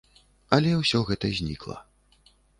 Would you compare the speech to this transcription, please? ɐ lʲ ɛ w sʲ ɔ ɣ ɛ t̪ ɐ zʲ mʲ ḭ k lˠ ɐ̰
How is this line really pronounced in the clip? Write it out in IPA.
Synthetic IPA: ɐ lʲ ɛ w sʲ ɔ ɣ ɛ t̪ ɐ zʲ nʲ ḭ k lˠ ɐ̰